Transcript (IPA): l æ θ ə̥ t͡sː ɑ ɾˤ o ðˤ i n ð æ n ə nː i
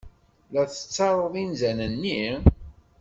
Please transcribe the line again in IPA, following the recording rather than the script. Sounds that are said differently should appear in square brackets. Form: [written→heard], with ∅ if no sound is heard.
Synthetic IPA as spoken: l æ θ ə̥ t͡sː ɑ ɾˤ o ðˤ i n [ð→z] æ n ə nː i